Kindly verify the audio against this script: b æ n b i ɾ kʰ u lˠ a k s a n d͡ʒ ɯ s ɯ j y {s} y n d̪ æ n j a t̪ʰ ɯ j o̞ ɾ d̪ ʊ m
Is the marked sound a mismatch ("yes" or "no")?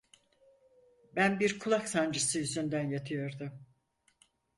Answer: yes